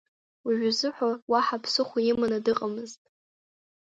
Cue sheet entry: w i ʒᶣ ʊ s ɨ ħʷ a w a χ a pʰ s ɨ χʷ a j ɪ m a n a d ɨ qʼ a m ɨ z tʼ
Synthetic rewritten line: w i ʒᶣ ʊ z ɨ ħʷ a w a ħ a pʰ s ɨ χʷ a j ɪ m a n a d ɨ qʼ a m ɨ z tʼ